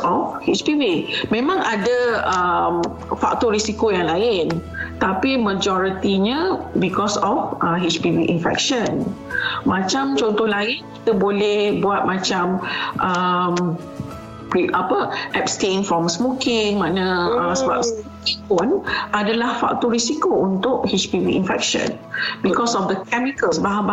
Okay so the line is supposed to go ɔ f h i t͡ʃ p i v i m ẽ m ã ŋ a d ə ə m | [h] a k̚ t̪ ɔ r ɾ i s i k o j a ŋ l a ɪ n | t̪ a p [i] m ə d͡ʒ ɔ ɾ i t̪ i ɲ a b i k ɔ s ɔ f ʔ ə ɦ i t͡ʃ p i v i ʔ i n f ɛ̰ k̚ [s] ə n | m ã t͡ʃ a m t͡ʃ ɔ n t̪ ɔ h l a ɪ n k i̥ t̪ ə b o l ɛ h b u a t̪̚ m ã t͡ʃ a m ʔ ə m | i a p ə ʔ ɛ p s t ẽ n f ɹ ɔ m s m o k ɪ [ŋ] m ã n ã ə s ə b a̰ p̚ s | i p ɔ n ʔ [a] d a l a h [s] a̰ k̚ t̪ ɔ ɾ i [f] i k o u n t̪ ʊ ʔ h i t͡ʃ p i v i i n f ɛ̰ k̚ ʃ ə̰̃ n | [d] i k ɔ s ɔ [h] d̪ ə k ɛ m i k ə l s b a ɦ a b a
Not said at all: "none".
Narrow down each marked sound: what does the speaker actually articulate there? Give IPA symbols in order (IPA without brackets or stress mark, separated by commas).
f, i, ʃ, ŋ, a, f, s, b, f